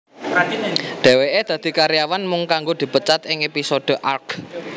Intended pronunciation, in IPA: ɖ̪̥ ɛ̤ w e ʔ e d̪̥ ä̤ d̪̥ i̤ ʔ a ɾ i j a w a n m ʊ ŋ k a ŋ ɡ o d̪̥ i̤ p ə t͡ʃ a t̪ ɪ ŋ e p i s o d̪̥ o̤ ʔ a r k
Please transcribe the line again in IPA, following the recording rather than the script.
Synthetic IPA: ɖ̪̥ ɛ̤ w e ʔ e d̪̥ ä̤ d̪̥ i̤ k a ɾ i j a w a n m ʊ ŋ k a ŋ ɡ o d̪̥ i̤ p ə t͡ʃ a t̪ ɪ ŋ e p i s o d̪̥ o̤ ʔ a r k